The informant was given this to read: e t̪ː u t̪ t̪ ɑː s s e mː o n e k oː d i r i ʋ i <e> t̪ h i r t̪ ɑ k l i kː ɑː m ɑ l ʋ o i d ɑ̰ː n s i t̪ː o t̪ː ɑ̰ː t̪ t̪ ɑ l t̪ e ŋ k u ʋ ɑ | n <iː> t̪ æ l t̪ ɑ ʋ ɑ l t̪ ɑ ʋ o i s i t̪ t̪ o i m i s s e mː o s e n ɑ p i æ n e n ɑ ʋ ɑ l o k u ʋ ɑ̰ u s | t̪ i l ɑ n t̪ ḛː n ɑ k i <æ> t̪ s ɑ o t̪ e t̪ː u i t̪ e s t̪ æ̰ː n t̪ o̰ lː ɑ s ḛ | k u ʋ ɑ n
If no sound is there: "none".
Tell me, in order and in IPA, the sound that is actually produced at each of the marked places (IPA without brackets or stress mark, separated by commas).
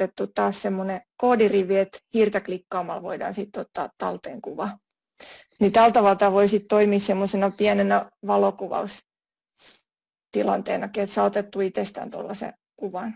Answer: e, i, e